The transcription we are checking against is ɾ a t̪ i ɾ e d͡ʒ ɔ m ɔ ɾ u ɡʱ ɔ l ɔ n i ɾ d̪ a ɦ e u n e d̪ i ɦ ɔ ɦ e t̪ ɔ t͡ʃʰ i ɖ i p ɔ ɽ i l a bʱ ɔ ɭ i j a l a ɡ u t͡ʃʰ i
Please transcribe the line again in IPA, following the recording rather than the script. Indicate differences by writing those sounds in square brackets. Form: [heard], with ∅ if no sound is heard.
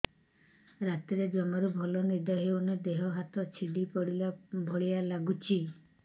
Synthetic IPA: ɾ a t̪ i ɾ e d͡ʒ ɔ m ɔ ɾ u [bʱ] ɔ l ɔ n i ɾ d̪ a ɦ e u n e d̪ [e] ɦ ɔ ɦ [a] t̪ ɔ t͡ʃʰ i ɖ i p ɔ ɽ i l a bʱ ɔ ɭ i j a l a ɡ u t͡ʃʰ i